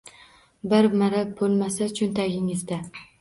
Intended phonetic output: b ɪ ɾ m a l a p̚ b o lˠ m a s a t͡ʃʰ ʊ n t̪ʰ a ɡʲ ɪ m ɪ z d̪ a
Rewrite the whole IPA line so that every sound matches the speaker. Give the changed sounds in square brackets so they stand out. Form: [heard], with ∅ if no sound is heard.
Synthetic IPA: b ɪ ɾ m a [ɾ] a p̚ b o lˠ m a s a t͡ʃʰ ʊ n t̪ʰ a ɡʲ ɪ [ŋ] ɪ z d̪ a